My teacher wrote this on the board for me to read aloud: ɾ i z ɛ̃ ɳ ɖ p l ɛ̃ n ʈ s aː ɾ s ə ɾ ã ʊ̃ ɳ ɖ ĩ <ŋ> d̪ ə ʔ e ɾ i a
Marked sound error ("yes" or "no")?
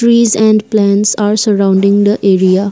no